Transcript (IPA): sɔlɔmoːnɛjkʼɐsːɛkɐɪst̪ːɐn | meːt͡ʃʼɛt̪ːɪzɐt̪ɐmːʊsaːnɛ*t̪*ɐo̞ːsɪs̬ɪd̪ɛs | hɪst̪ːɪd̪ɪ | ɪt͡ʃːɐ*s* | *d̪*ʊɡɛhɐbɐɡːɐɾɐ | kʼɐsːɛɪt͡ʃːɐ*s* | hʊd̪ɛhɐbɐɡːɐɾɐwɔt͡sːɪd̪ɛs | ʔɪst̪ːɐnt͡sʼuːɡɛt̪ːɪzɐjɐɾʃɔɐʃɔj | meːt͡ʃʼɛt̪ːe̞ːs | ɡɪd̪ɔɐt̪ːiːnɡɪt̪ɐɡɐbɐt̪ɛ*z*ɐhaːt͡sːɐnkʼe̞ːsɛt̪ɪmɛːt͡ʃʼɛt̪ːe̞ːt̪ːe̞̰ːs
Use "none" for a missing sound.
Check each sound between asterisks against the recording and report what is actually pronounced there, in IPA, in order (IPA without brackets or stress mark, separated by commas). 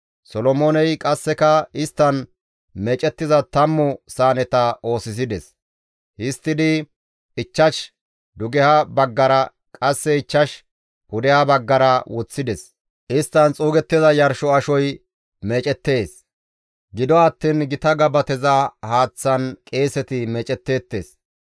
t̪, ʃ, d̪, ʃ, z